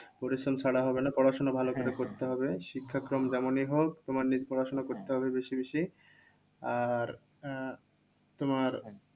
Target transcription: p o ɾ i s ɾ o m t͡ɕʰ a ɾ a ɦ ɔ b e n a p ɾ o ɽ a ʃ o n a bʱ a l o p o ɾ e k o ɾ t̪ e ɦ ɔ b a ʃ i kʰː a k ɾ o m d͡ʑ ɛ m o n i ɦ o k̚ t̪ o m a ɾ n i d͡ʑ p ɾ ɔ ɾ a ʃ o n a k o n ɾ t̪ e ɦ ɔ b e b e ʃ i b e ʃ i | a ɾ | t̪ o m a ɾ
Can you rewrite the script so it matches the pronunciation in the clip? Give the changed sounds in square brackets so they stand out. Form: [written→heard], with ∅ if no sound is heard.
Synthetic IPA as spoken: p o ɾ i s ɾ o m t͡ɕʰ a [ɾ→ɽ] a ɦ ɔ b e n a p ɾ [o→ɔ] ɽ a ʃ o n a bʱ a l o [p→k] o ɾ e k o ɾ t̪ e ɦ ɔ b [a→e] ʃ i kʰː a k ɾ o m d͡ʑ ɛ m o n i ɦ o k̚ t̪ o m a ɾ n i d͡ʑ p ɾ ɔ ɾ a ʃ o n a k o [n→∅] ɾ t̪ e ɦ ɔ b e b e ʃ i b e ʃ i | a ɾ | t̪ o m a ɾ